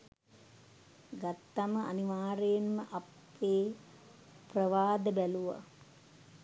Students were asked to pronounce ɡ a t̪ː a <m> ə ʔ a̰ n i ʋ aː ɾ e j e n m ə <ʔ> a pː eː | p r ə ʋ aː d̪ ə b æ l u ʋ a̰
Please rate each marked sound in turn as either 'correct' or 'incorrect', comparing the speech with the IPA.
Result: correct, correct

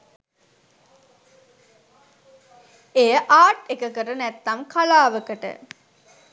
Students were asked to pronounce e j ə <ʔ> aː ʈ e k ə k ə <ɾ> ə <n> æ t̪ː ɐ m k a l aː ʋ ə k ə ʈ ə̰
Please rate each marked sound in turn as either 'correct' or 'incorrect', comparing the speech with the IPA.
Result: correct, correct, correct

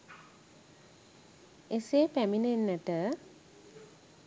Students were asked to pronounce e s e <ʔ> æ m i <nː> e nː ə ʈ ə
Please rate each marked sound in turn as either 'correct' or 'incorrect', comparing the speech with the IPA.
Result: incorrect: p, incorrect: n

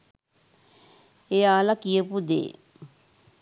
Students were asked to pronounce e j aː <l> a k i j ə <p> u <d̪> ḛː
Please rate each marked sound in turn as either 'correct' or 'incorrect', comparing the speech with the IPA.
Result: correct, correct, correct

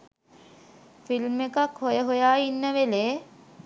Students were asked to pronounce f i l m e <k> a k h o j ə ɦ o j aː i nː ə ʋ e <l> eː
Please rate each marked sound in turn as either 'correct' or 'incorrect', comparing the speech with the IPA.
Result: correct, correct

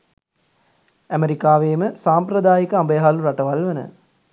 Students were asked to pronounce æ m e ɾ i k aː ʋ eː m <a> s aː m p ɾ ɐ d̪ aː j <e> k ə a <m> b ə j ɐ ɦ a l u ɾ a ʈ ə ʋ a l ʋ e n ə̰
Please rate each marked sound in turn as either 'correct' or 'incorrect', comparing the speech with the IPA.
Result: incorrect: ə, incorrect: i, correct

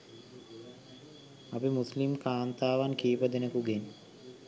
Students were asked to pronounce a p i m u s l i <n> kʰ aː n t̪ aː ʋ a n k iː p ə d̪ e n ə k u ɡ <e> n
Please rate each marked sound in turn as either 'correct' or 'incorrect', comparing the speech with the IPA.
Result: incorrect: m, correct

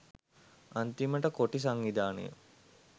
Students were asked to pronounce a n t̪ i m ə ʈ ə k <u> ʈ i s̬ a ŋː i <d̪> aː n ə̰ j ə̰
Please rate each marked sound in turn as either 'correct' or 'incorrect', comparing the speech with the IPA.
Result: incorrect: o, correct

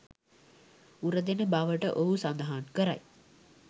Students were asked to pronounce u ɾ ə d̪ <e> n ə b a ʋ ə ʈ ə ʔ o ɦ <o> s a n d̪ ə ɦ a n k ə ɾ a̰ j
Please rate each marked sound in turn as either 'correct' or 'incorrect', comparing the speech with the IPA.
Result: correct, incorrect: u

